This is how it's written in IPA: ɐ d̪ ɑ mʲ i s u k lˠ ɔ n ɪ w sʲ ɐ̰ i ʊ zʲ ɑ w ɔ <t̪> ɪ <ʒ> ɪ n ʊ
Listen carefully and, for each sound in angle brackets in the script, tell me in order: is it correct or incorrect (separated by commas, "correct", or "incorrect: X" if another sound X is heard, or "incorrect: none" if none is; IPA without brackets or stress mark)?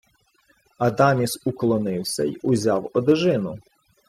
incorrect: d̪, correct